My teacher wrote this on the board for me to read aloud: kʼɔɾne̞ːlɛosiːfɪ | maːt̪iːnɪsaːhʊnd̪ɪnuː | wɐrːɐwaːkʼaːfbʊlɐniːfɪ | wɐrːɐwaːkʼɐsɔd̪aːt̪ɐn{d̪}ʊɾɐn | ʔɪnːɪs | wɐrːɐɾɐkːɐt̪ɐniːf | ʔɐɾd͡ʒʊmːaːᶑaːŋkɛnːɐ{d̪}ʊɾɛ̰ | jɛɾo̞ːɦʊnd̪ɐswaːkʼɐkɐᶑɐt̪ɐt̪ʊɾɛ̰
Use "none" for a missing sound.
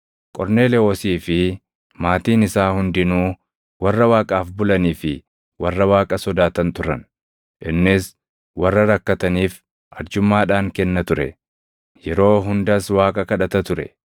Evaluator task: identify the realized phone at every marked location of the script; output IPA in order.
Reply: t̪, t̪

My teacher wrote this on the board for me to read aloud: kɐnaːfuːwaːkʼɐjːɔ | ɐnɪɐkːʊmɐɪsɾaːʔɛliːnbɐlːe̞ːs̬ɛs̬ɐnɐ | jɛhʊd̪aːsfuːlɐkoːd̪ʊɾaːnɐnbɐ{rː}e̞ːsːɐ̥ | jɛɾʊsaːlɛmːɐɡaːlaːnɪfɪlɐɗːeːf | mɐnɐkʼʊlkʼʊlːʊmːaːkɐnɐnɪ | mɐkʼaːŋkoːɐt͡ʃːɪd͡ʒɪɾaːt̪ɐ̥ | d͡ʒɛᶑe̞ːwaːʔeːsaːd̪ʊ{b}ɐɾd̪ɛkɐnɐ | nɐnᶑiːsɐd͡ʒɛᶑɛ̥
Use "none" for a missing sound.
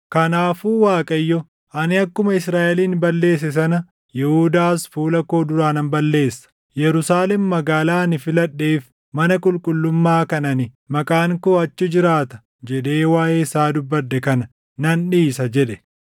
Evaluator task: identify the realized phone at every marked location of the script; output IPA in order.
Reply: lː, bː

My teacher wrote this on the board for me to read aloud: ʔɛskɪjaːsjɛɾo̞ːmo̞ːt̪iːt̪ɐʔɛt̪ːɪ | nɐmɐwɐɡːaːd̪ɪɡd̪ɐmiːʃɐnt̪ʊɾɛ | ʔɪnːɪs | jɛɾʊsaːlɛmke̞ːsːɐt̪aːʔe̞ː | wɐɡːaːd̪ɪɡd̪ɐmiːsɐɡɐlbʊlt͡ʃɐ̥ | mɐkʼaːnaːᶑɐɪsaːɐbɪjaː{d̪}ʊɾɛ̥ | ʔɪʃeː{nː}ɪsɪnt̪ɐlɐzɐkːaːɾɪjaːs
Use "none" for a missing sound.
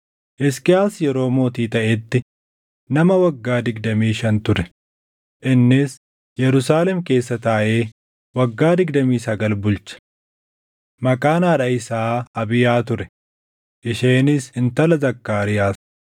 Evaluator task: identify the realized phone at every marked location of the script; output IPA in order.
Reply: t̪, n

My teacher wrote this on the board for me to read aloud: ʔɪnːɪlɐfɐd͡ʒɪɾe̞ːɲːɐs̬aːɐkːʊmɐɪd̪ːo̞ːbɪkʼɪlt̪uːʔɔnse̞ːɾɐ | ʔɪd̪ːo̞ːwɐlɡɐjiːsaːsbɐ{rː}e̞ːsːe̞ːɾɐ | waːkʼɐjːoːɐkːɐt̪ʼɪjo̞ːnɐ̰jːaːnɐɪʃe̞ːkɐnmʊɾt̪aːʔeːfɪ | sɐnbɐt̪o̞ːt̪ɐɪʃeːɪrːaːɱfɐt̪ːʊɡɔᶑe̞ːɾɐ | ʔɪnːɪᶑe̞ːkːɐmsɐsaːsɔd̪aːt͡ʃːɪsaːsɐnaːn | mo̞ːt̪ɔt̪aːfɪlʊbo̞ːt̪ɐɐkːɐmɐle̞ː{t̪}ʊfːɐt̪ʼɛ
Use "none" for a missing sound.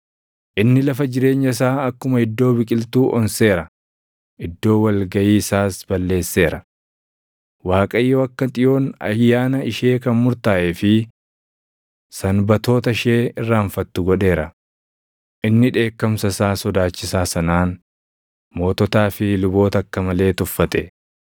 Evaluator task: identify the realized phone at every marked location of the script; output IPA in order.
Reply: lː, t̪

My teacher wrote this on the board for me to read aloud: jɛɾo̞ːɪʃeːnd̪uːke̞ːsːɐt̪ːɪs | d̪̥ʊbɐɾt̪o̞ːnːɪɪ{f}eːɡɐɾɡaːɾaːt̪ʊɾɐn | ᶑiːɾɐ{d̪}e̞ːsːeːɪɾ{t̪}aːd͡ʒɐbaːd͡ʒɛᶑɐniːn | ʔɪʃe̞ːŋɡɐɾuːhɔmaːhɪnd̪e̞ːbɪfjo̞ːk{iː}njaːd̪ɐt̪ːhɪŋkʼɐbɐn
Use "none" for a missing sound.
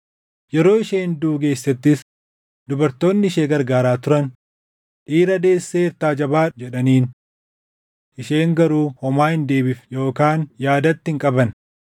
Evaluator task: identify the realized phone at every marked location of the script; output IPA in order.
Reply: ʃ, d̪, t̪, aː

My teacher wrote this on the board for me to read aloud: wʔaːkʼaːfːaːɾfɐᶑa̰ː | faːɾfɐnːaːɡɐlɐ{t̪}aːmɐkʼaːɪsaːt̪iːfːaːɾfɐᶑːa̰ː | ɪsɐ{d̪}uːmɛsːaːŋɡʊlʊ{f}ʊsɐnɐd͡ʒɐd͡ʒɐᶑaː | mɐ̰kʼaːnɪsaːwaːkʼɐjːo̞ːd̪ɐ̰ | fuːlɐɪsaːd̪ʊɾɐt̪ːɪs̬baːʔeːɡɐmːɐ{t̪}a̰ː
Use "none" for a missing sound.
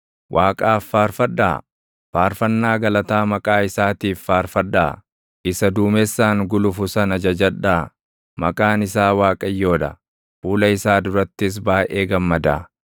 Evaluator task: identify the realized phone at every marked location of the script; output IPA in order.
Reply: t̪, d̪, f, d̪

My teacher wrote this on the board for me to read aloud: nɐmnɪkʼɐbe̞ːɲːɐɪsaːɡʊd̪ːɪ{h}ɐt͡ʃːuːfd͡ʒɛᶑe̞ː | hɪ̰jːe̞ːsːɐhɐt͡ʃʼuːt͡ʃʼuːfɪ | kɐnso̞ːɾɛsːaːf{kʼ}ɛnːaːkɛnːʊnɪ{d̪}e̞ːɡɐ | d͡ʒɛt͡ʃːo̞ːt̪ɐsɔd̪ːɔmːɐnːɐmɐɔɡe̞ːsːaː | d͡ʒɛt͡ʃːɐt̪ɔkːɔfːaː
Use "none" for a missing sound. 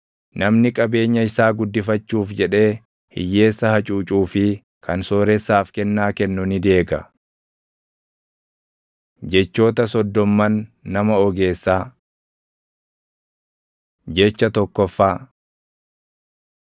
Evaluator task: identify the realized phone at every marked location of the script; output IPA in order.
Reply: f, k, d̪

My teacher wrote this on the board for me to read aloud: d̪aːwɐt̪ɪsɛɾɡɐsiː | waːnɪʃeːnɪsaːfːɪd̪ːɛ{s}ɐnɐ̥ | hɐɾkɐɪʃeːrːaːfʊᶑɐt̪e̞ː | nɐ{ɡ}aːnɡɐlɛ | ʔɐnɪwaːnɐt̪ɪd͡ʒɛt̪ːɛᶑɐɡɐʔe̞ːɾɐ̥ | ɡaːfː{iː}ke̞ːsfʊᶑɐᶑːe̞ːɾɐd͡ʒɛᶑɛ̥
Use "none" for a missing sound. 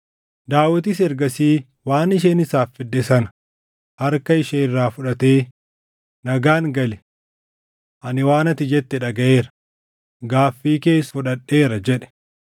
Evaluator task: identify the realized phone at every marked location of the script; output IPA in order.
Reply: s, ɡ, iː

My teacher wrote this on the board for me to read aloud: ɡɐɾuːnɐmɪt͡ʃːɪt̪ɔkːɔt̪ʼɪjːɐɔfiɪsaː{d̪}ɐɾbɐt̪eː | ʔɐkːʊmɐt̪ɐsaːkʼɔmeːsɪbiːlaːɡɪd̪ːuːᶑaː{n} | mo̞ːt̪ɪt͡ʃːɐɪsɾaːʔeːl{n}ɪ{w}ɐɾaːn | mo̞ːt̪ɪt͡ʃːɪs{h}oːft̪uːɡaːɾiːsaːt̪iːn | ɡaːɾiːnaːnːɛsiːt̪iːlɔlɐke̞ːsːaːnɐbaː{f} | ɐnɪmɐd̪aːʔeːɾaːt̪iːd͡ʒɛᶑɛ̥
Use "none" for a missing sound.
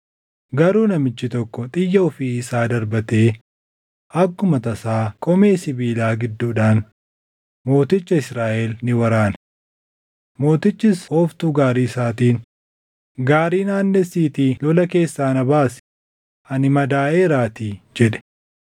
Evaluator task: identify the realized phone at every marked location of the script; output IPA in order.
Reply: d̪, n, n, w, h, s

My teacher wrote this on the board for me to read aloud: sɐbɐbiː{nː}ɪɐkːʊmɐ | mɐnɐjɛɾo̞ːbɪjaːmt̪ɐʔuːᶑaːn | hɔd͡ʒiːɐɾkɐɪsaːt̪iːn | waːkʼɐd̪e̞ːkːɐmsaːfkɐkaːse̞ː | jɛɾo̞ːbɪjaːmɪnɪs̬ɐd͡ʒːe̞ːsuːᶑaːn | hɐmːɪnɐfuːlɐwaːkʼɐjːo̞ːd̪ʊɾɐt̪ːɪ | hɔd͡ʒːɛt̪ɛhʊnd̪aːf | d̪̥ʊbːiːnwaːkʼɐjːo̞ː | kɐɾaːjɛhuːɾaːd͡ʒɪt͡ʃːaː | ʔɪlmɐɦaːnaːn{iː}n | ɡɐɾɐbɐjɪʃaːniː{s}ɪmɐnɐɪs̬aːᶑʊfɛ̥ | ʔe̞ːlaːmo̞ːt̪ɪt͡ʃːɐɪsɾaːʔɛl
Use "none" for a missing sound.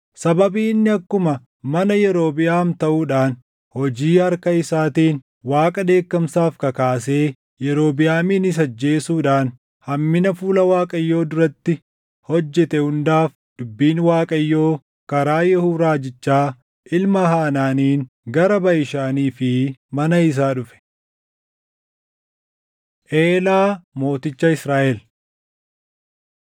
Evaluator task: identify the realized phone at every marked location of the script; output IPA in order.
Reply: nː, iː, f

